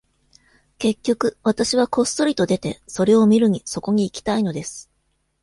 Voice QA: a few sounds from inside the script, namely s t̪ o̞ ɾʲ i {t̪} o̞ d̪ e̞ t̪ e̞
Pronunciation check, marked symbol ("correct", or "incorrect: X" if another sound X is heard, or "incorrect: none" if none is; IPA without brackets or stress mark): correct